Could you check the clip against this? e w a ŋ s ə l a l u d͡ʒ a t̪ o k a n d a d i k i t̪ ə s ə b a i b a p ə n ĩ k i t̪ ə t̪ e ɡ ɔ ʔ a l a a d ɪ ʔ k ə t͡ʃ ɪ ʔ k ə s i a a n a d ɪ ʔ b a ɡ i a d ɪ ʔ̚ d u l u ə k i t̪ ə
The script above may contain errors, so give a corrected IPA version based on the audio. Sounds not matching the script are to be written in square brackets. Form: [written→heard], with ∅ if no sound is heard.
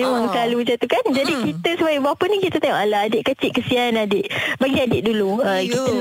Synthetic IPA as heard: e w a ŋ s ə l a l u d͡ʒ a t̪ [o→u] k a n [d→d͡ʒ] a d i k i t̪ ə s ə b a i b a p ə n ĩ k i t̪ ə t̪ e [ɡ→ŋ] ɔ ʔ a l a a d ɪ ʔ k ə t͡ʃ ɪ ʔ k ə s i a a n a d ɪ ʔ b a ɡ i a d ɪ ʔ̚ d u l u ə k i t̪ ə